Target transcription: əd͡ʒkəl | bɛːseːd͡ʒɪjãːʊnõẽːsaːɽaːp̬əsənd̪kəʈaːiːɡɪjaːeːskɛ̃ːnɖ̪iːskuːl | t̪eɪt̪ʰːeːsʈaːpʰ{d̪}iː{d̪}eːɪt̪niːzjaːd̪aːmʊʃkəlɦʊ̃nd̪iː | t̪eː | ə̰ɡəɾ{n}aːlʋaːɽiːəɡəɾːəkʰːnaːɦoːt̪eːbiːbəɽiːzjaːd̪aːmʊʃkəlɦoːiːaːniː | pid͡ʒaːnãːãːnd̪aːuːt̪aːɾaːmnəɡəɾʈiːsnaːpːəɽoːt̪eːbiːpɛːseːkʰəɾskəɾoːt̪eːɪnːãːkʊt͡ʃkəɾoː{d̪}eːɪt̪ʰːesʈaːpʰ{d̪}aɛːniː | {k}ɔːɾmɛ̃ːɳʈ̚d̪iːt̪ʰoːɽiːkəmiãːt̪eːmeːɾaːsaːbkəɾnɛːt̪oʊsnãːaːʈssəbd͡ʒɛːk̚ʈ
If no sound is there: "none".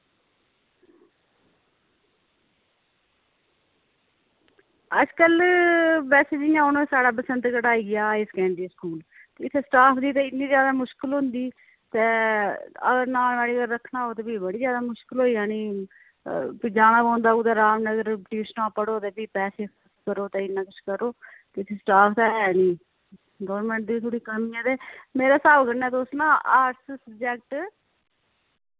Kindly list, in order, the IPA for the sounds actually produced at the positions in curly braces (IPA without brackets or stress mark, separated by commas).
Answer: d̪, t̪, n, t̪, t̪, ɡ